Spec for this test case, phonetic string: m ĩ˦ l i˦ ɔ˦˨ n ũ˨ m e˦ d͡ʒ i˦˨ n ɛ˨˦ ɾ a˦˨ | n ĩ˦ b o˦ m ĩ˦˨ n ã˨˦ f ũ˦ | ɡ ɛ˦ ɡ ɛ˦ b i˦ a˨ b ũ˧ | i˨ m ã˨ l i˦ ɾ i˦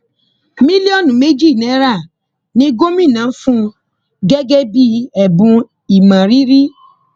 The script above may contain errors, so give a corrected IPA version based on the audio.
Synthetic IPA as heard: m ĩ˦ l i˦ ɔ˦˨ n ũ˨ m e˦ d͡ʒ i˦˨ n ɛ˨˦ ɾ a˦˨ | n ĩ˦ ɡ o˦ m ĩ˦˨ n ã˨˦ f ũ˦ | ɡ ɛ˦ ɡ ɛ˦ b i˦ ɛ˨ b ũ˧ | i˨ m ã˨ ɾ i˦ ɾ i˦